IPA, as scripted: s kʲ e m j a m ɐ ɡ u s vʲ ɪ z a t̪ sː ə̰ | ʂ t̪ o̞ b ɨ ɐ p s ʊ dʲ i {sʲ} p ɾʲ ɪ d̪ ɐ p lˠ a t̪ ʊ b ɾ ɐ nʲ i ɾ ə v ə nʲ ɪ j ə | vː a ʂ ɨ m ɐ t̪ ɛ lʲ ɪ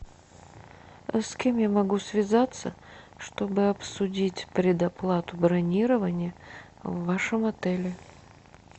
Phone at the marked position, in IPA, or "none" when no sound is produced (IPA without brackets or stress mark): tʲ